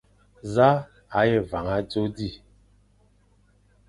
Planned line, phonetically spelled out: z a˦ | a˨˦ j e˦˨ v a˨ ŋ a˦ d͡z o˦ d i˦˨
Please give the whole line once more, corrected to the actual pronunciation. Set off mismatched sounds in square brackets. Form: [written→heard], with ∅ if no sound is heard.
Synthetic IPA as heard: z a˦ | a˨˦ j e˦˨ v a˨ ŋ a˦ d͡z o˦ d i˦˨